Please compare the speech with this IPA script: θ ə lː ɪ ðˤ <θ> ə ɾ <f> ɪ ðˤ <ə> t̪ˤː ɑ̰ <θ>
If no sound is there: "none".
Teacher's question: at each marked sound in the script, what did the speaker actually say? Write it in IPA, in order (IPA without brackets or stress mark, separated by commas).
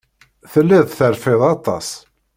θ, f, ɑ, s